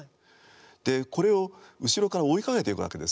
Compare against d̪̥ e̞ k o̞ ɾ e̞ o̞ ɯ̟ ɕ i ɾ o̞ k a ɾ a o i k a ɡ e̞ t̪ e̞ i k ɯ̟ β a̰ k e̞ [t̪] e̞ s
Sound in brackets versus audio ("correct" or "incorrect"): incorrect